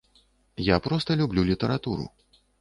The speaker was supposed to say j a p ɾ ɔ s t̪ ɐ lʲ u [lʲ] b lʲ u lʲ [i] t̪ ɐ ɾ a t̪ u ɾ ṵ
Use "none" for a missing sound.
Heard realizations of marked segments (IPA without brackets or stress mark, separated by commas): none, i